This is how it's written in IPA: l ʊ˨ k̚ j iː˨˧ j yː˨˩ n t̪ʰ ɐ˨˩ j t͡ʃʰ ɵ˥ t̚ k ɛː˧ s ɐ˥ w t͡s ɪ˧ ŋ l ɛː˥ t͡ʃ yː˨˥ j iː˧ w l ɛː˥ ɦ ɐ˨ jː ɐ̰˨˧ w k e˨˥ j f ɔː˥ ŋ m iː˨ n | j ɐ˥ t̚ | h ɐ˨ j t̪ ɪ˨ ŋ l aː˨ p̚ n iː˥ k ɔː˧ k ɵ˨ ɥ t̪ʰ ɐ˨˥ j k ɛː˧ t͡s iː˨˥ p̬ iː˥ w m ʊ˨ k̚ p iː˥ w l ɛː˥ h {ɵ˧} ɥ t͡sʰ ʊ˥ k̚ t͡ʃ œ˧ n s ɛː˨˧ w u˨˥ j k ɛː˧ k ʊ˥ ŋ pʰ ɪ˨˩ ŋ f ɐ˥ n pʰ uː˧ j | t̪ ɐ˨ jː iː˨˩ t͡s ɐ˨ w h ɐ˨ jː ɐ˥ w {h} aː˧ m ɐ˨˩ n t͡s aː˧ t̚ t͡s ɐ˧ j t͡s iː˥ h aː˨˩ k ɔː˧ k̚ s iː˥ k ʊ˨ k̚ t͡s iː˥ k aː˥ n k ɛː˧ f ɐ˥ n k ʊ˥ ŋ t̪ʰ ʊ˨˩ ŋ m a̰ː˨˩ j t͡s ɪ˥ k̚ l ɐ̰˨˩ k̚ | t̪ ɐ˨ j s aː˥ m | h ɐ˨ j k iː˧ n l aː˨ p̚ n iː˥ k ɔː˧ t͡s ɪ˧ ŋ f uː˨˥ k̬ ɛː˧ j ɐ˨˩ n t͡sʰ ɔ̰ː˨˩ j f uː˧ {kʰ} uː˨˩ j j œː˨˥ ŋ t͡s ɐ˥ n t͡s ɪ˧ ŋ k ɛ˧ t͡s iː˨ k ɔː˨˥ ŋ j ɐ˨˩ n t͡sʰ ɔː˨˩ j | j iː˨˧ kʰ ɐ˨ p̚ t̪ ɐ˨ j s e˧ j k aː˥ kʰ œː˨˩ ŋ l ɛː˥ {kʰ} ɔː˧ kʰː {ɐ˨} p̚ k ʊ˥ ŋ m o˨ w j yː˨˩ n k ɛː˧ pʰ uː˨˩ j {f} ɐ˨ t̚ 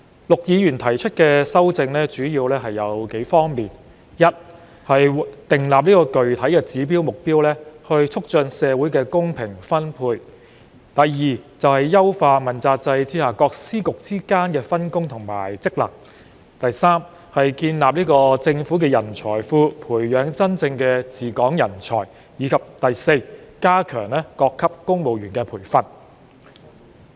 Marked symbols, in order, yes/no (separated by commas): yes, no, no, no, no, yes